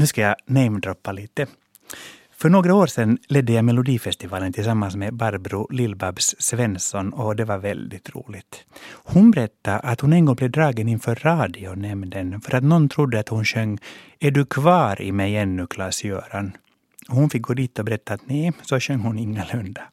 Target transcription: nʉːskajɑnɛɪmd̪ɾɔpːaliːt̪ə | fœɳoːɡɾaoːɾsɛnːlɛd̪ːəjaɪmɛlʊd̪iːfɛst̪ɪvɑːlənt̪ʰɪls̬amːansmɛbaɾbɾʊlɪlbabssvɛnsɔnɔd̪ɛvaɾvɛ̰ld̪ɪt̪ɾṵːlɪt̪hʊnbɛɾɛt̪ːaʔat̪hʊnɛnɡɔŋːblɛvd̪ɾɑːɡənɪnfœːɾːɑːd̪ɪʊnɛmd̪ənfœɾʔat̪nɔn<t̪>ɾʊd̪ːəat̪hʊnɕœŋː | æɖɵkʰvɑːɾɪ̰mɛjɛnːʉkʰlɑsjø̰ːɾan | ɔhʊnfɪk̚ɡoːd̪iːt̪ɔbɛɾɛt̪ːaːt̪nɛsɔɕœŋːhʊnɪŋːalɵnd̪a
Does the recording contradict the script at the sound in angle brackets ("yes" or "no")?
yes